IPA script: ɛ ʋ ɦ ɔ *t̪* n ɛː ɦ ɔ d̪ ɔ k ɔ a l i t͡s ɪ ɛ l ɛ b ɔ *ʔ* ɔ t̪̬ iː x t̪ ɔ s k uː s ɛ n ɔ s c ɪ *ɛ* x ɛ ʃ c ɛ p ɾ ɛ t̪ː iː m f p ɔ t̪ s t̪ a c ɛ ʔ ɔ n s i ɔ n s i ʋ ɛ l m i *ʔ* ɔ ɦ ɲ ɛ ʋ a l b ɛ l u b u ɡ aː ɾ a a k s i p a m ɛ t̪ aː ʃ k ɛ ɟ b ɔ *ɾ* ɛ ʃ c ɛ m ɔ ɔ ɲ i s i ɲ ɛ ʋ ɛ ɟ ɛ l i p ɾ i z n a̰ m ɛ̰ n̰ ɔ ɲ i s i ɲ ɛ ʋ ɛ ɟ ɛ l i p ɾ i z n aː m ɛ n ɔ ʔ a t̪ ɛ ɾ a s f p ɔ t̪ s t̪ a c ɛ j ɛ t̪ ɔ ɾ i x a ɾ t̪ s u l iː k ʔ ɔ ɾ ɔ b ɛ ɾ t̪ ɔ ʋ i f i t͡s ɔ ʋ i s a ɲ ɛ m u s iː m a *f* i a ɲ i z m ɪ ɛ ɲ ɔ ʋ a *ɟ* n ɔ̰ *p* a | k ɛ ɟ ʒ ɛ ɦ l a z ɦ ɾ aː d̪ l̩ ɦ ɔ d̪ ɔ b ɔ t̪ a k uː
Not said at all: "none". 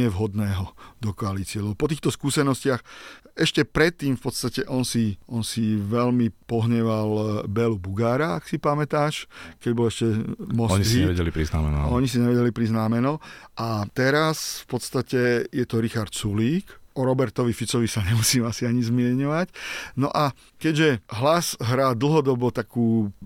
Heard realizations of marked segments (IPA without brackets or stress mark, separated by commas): d̪, p, a, p, l, s, c, ʔ